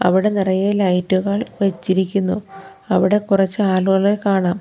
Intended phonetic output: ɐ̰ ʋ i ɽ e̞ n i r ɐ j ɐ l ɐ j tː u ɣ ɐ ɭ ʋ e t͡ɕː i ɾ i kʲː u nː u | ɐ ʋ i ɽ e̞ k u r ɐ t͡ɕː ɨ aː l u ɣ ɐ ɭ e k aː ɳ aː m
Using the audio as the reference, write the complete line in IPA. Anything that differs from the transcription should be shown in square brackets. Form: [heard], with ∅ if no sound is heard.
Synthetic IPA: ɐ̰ ʋ i ɽ e̞ n i r ɐ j ɐ l ɐ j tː u ɣ ɐ ɭ ʋ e t͡ɕː i ɾ i kʲː u nː u | ɐ ʋ i ɽ e̞ k u r ɐ t͡ɕː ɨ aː l u ɣ ɐ ɭ e k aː ɳ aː m